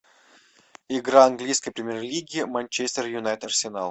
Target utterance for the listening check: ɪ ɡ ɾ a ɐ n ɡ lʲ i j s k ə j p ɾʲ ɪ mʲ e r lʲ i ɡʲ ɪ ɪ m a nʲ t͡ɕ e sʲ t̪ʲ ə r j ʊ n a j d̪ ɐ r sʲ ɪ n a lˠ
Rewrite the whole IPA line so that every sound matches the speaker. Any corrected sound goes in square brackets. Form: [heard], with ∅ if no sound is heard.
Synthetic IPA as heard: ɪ ɡ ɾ a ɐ n ɡ lʲ i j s k ə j p ɾʲ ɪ mʲ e r lʲ i ɡʲ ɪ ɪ m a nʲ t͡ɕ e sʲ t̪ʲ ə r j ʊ n a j [t̪] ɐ r sʲ ɪ n a lˠ